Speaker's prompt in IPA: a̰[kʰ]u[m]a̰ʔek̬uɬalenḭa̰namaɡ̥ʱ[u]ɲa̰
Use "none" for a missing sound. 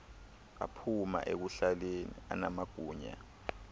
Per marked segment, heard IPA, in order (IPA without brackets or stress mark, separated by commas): pʰ, m, uː